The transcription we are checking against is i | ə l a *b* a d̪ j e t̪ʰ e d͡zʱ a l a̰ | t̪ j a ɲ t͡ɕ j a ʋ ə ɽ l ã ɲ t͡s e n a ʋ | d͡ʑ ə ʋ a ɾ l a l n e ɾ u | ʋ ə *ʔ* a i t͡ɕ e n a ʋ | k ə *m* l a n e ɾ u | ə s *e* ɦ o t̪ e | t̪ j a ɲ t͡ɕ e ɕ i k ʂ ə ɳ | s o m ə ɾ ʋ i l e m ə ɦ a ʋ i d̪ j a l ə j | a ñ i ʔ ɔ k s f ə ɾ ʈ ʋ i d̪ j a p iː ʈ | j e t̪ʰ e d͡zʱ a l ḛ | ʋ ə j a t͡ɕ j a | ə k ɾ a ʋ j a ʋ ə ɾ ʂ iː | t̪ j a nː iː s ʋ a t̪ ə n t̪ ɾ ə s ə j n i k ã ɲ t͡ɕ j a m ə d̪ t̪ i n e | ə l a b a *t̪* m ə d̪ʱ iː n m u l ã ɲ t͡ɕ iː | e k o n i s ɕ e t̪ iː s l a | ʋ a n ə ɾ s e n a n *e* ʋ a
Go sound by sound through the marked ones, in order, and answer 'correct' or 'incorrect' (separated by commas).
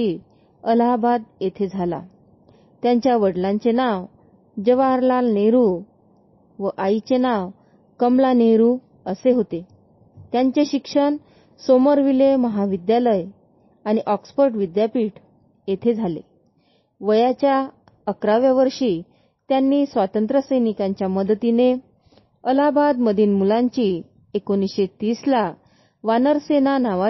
correct, correct, correct, correct, incorrect, incorrect